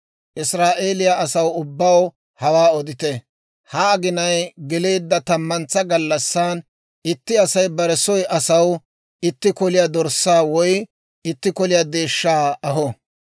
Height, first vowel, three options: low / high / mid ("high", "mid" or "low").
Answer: high